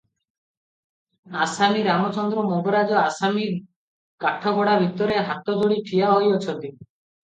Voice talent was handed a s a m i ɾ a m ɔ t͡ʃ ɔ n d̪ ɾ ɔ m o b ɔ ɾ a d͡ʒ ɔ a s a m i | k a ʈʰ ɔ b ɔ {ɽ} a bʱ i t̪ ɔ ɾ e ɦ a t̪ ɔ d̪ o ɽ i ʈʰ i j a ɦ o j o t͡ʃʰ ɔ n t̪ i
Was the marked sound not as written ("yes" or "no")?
no